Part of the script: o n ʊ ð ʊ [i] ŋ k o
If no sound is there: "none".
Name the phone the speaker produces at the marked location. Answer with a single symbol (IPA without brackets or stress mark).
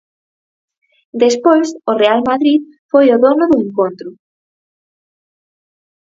e